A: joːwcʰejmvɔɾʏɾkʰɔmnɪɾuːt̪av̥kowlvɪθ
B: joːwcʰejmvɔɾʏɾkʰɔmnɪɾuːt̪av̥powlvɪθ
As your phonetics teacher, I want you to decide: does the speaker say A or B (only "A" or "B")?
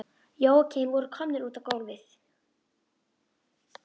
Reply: A